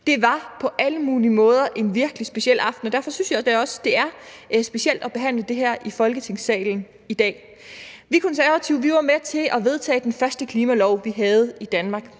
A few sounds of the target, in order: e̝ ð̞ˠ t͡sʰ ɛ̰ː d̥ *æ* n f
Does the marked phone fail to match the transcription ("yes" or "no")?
yes